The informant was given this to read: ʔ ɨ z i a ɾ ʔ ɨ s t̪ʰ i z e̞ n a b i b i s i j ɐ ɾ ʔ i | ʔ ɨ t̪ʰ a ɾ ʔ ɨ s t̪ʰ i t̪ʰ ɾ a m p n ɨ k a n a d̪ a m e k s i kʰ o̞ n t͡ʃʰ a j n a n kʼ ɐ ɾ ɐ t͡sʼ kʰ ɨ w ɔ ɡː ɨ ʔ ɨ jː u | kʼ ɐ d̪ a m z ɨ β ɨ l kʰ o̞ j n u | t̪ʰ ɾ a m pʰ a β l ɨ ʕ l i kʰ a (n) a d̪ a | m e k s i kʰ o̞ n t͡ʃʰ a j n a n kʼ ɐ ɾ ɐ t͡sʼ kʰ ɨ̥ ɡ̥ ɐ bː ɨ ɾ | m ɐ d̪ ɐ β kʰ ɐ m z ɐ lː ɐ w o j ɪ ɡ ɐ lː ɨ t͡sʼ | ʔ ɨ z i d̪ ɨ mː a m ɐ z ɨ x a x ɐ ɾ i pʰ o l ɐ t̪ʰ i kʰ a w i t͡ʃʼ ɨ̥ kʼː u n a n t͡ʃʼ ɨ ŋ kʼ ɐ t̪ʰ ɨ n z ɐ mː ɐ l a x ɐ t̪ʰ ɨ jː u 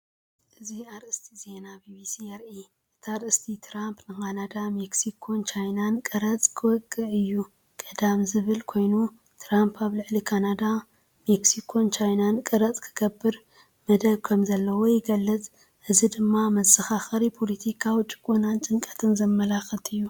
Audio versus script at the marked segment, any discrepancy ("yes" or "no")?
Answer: no